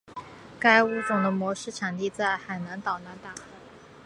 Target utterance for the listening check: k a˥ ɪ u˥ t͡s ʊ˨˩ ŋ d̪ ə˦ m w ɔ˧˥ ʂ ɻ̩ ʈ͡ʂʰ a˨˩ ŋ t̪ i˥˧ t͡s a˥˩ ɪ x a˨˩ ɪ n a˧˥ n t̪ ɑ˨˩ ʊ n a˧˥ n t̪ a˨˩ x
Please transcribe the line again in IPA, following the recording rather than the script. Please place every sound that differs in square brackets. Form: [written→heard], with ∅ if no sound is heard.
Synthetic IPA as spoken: k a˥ ɪ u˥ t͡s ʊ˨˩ ŋ d̪ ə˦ m w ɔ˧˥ ʂ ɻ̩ ʈ͡ʂʰ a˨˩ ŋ t̪ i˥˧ t͡s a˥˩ ɪ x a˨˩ ɪ n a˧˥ n t̪ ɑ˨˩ ʊ n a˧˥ n t̪ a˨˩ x